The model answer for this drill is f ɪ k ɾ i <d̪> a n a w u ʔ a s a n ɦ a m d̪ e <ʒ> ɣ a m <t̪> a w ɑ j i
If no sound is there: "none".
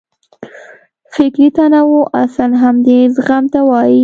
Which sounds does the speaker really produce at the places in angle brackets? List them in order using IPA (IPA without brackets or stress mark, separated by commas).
t̪, z, t̪